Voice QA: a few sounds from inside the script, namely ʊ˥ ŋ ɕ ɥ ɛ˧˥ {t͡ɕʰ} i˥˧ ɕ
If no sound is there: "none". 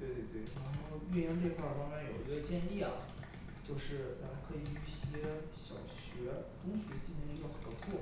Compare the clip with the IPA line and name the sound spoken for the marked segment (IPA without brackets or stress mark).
t͡ɕ